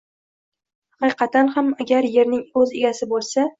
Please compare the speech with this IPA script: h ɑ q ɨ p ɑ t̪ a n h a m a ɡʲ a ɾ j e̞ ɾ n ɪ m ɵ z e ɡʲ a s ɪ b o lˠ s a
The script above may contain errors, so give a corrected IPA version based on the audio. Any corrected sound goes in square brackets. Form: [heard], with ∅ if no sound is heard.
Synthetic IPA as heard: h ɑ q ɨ [q] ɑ t̪ a n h a m a ɡʲ a ɾ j e̞ ɾ n ɪ [ŋ] ɵ z e ɡʲ a s ɪ b o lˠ s a